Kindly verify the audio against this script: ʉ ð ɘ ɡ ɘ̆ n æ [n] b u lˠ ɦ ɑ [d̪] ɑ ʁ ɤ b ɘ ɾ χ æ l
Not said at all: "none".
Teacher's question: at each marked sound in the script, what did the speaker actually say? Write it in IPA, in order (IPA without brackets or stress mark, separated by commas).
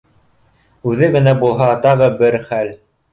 none, t̪